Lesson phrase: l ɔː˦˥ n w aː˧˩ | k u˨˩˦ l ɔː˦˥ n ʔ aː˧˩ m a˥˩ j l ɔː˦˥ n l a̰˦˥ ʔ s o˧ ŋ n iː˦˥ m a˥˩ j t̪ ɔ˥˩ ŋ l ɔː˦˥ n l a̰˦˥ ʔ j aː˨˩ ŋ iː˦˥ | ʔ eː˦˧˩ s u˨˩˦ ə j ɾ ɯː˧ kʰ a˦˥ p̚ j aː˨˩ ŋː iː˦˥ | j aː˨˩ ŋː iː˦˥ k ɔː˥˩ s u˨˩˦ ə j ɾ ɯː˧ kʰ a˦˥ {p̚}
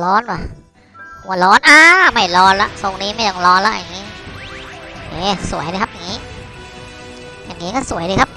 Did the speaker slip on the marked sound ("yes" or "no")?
no